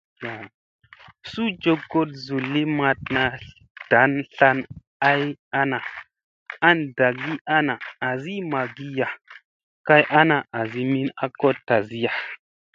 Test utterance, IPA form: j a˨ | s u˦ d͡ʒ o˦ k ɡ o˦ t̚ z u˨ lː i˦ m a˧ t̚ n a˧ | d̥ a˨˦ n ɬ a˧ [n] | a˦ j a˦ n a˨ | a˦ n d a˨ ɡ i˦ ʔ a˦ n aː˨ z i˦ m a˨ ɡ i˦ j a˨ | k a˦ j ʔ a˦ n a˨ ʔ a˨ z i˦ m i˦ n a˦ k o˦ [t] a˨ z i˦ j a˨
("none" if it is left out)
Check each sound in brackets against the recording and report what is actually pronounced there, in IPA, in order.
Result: n, t

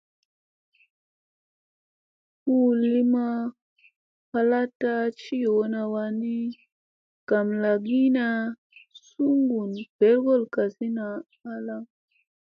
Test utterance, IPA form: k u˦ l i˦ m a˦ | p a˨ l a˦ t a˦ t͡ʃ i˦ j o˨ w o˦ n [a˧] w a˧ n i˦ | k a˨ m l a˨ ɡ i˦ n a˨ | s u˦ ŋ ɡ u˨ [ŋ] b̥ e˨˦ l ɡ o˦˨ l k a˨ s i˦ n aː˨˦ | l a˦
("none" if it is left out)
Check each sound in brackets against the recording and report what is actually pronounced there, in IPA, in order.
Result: a˧, n

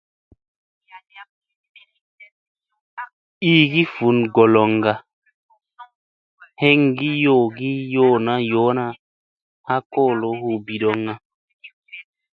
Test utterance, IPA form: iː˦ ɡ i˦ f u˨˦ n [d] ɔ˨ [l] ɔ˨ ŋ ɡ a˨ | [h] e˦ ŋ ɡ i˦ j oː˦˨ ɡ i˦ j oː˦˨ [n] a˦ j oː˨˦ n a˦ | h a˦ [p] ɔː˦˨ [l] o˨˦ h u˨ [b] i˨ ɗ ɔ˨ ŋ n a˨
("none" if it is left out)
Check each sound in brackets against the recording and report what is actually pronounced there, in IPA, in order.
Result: ɡ, l, h, n, k, l, b

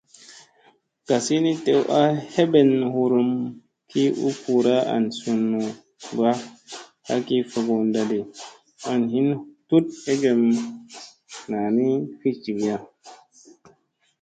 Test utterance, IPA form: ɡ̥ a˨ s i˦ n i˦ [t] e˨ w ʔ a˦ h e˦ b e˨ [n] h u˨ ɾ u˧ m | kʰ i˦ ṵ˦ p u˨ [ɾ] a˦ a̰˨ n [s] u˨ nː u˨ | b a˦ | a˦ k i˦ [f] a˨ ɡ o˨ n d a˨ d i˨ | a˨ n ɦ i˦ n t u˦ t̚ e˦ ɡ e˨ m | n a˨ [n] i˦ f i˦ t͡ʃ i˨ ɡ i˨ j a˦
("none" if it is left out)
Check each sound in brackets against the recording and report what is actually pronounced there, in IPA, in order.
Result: t, n, ɾ, s, f, n

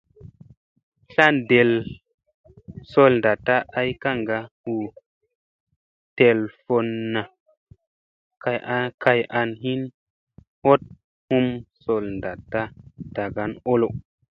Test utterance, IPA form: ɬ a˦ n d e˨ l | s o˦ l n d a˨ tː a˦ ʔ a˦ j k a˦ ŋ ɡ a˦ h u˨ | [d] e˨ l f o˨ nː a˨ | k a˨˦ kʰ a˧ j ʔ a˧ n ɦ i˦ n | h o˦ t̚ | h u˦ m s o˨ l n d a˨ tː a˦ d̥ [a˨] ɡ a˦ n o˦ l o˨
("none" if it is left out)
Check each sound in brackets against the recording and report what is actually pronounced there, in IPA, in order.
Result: t, a˨

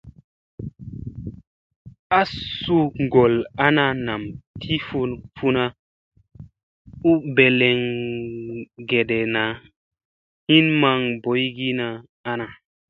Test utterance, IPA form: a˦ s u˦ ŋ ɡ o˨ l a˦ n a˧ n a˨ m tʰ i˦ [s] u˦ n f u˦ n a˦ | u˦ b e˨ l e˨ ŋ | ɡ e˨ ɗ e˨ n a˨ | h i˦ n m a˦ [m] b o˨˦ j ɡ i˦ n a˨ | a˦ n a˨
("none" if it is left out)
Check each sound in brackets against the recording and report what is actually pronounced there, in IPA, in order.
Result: f, ŋ

